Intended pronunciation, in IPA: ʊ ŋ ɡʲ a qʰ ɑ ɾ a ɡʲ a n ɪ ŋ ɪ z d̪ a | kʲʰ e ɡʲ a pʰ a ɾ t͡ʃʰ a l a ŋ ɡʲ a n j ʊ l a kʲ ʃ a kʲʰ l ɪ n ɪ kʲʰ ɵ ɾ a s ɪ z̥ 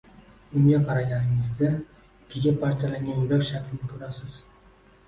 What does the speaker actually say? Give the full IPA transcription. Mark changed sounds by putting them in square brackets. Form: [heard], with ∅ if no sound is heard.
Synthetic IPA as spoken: ʊ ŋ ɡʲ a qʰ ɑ ɾ a ɡʲ a n ɪ ŋ ɪ z d̪ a | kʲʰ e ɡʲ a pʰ a ɾ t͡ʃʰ a l a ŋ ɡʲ a n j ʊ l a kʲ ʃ a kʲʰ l ɪ n ɪ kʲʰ ɵ ɾ a s ɪ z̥

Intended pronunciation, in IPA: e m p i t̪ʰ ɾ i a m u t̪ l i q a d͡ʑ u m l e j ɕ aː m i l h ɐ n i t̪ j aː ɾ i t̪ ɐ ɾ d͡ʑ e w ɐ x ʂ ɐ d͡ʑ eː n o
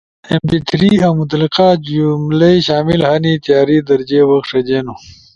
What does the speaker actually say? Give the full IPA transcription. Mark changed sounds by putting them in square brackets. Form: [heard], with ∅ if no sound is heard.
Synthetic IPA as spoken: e m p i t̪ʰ ɾ i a m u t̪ l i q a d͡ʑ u m l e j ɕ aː m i l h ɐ n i t̪ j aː ɾ i [d̪] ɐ ɾ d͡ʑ e w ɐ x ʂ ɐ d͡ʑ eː n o

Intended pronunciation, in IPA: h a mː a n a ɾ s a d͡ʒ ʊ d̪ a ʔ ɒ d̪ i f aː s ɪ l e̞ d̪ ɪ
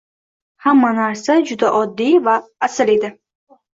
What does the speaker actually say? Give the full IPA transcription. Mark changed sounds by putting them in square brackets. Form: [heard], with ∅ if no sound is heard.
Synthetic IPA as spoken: h a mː a n a ɾ s a d͡ʒ ʊ d̪ a ʔ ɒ [d̪ː] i [v] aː s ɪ l e̞ d̪ ɪ

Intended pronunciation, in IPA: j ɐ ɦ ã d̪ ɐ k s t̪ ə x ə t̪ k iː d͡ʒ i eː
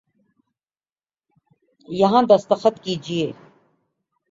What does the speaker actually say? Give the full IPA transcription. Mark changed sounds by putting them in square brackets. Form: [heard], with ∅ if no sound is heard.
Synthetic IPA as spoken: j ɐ ɦ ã d̪ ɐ [∅] s t̪ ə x ə t̪ k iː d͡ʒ i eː

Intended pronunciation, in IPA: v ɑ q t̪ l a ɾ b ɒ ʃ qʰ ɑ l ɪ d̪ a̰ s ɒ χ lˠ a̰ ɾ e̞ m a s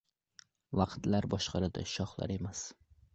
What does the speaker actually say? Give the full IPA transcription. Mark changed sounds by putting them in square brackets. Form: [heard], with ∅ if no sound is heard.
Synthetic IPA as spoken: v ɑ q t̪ l a ɾ b ɒ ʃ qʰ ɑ [ɾ] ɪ d̪ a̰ [ʃ] ɒ χ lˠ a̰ ɾ e̞ m a s

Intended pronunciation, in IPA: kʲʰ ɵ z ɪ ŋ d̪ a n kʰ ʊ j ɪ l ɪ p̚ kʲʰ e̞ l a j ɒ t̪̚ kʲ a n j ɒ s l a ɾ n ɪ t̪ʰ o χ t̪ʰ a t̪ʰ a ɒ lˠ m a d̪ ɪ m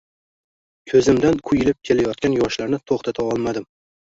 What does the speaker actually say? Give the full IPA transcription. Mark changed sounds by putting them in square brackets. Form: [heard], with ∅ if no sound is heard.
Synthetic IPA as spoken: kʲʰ ɵ z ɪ [m] d̪ a n kʰ ʊ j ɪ l ɪ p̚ kʲʰ e̞ l a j ɒ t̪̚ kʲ a n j ɒ [ʃ] l a ɾ n ɪ t̪ʰ o χ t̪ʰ a t̪ʰ a ɒ lˠ m a d̪ ɪ m

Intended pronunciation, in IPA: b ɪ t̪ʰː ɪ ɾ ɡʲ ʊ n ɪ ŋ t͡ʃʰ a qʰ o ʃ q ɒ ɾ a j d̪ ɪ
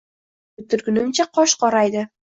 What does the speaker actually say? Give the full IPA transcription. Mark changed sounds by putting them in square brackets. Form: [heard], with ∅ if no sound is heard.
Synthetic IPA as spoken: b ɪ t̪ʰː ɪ ɾ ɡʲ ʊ n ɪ [m] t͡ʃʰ a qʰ [ɒ] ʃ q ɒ ɾ a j d̪ ɪ

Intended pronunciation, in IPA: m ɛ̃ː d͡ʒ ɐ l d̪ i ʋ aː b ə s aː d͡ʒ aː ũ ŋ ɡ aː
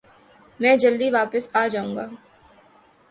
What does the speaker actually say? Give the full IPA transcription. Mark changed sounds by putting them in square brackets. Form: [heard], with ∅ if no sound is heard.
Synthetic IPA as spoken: m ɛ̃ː d͡ʒ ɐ l d̪ i ʋ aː [p] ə s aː d͡ʒ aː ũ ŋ ɡ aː

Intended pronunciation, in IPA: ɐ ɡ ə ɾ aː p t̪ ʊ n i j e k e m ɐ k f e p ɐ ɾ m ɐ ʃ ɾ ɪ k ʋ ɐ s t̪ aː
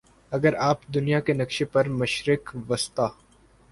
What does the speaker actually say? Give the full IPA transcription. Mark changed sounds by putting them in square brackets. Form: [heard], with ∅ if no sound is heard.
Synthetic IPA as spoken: ɐ ɡ ə ɾ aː p [d̪] ʊ n i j [a] k e [n] ɐ k [ʃ] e p ɐ ɾ m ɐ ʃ ɾ ɪ k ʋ ɐ s t̪ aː

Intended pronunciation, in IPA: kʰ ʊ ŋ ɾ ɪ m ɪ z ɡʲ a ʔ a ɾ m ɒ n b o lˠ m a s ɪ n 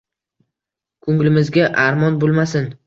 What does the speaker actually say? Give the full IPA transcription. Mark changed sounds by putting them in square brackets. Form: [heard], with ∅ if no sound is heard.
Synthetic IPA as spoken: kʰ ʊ ŋ [l] ɪ m ɪ z ɡʲ a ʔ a ɾ m ɒ n b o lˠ m a s ɪ n

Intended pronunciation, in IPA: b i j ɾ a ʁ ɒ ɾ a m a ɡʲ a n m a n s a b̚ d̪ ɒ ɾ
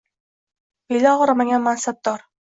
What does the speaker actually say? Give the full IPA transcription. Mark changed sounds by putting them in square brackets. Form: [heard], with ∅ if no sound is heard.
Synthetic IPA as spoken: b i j [l] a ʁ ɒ ɾ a m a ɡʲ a n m a n s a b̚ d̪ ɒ ɾ

